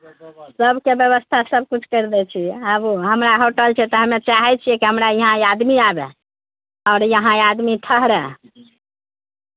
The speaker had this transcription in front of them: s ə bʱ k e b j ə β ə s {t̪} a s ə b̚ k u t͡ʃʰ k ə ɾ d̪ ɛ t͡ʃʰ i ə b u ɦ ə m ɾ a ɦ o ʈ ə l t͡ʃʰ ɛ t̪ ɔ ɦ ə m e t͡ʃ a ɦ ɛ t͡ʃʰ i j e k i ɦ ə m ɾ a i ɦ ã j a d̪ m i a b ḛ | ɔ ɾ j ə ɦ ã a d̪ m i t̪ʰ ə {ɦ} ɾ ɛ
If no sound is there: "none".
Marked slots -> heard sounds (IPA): t̪ʰ, ɦ

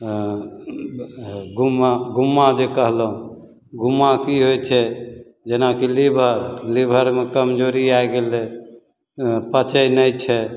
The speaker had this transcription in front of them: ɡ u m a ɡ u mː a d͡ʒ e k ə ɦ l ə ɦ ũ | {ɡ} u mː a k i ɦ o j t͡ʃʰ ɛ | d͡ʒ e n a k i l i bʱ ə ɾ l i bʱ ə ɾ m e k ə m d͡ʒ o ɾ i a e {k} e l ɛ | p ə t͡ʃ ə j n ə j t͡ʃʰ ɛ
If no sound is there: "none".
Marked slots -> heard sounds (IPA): ɡ, ɡ

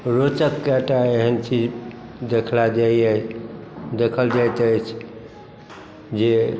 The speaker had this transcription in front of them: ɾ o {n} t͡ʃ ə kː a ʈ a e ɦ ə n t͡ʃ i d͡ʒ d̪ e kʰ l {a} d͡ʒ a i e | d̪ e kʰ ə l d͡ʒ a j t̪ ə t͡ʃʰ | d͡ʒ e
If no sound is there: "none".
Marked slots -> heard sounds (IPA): none, a

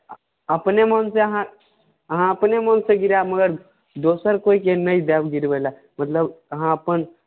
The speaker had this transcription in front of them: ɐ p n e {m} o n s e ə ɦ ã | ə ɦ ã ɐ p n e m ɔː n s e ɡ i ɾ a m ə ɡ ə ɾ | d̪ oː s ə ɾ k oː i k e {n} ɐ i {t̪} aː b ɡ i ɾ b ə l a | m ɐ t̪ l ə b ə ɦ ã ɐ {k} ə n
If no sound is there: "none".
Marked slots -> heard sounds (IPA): m, n, d̪, p

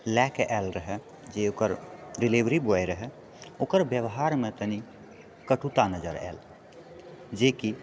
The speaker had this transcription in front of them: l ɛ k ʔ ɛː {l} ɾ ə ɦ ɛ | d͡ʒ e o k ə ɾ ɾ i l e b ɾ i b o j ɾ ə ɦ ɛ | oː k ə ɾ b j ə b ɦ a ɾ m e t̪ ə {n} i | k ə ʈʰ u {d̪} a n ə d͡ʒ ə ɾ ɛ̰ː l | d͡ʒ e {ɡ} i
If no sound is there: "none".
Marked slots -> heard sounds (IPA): l, n, t̪, k

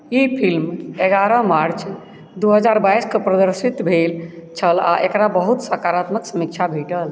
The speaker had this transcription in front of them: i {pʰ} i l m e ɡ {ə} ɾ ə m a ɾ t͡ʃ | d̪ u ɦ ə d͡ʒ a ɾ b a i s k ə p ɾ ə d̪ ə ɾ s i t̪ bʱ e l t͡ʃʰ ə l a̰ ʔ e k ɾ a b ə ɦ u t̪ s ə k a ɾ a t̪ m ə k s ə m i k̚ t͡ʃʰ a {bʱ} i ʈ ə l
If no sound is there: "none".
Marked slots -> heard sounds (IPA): pʰ, a, bʱ

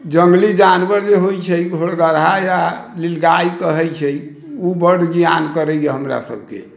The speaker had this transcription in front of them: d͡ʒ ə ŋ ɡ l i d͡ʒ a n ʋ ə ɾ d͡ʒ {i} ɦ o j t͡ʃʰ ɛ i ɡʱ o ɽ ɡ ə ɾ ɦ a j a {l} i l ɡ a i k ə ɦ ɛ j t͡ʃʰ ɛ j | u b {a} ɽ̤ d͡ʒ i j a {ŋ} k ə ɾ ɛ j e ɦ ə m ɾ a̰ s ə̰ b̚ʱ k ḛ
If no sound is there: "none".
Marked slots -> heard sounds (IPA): e, l, ə, n

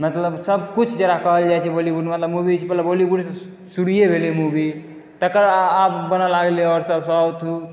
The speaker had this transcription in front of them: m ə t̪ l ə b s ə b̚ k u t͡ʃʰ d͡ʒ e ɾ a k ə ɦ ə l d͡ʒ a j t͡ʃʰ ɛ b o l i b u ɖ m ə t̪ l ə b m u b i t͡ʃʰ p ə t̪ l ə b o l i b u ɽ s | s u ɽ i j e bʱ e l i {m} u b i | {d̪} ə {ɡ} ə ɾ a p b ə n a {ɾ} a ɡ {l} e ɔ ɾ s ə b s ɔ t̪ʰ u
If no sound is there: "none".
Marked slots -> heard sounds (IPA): m, t̪, k, l, l

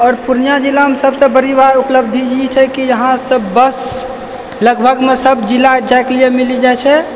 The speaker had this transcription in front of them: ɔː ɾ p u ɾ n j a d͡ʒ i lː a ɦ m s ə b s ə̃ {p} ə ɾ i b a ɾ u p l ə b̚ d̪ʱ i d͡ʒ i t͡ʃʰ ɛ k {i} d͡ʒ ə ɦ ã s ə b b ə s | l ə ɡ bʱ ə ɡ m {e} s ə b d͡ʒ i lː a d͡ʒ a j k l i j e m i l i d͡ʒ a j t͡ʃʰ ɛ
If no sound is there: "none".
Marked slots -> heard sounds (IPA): b, i, e

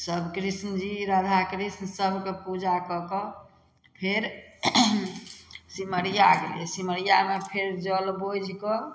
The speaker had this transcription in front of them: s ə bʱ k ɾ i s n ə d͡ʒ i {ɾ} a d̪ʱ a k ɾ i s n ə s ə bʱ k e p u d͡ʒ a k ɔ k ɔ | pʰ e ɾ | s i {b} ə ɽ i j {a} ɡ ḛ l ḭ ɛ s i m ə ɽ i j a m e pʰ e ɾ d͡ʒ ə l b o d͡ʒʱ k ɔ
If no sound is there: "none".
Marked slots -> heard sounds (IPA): ɾ, m, a

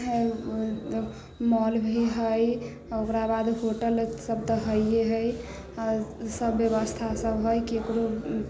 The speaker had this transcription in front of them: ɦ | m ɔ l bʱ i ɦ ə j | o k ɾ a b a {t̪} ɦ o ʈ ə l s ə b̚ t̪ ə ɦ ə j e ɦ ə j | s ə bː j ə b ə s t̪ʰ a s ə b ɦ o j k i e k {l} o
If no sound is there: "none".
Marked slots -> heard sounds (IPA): d̪, ɾ

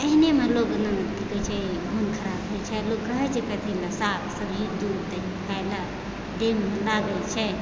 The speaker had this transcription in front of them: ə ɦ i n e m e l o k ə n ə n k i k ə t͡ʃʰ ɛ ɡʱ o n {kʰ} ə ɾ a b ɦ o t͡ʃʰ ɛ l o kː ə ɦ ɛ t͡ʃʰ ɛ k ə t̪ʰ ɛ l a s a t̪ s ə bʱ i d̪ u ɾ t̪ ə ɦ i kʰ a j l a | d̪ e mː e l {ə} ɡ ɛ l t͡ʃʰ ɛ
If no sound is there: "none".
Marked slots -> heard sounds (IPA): kʰ, a

